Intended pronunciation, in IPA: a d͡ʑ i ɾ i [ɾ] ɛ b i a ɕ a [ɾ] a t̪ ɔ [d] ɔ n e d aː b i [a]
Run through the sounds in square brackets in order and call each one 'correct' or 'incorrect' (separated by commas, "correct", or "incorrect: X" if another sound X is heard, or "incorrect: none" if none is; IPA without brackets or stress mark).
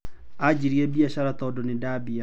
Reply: incorrect: none, correct, correct, correct